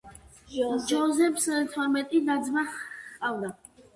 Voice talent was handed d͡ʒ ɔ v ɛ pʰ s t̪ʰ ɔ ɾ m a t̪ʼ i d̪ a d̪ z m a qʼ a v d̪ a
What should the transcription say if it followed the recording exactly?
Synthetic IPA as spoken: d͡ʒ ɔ z ɛ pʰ s t̪ʰ ɔ ɾ m ɛ t̪ʼ i d̪ a d̪ z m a qʼ a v d̪ a